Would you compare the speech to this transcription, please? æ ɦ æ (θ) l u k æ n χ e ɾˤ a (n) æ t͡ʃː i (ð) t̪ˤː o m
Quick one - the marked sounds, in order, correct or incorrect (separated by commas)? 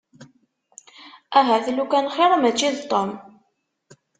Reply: correct, incorrect, correct